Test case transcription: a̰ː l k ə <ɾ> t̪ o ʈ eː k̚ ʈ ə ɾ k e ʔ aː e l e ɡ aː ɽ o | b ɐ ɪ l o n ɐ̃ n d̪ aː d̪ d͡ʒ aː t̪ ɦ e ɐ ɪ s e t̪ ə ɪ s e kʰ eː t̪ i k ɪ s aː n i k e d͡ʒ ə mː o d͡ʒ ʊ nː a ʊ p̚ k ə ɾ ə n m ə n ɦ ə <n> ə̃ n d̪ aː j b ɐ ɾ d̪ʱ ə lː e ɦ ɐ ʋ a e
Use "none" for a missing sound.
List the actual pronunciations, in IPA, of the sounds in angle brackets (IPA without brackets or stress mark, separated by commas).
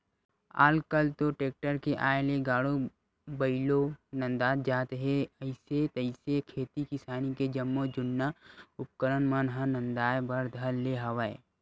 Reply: l, n